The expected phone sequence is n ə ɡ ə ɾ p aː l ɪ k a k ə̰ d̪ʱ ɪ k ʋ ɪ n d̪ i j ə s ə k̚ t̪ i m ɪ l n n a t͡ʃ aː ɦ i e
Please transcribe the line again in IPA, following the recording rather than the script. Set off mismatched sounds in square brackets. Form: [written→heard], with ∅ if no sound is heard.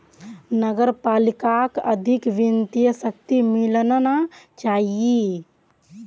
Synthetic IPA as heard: n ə ɡ ə ɾ p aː l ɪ k a k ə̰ d̪ʱ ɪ k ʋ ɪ n [d̪→t̪] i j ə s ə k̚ t̪ i m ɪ l n n a t͡ʃ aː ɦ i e